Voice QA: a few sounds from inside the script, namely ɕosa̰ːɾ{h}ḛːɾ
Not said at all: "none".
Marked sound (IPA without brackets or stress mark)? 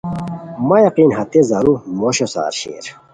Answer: ɕ